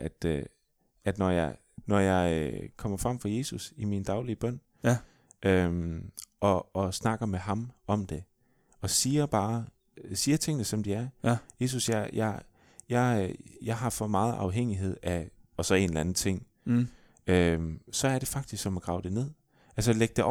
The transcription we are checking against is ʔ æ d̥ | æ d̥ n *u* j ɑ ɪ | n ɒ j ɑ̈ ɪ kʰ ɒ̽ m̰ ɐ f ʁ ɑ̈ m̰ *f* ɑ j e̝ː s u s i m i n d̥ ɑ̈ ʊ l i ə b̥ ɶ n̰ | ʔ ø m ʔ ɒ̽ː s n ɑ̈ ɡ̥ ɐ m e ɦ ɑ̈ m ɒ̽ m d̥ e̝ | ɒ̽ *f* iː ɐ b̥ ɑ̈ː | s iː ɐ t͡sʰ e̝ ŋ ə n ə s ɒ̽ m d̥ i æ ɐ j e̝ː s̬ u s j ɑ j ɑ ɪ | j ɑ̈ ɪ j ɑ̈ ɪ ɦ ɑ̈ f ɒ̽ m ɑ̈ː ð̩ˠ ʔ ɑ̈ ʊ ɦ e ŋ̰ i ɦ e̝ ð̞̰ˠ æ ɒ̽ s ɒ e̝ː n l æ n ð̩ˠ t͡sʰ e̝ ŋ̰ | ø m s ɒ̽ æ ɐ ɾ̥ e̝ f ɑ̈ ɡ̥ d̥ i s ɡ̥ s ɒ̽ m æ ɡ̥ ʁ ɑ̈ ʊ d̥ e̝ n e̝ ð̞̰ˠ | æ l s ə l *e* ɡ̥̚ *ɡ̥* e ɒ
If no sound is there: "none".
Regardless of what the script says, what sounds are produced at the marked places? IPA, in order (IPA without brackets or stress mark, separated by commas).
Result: ɒ, f, s, e, d̥